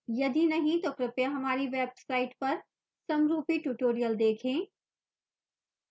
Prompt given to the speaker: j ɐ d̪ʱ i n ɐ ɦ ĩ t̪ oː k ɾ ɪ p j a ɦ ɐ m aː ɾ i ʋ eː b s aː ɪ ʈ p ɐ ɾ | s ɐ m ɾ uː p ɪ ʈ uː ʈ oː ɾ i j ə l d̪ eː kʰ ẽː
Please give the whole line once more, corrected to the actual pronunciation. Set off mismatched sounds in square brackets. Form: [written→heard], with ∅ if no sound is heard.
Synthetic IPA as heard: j ɐ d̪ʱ i n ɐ ɦ ĩ t̪ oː k ɾ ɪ p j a ɦ ɐ m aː ɾ i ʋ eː b s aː ɪ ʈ p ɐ ɾ | s ɐ m ɾ uː p [ɪ→i] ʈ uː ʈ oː ɾ i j ə l d̪ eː kʰ ẽː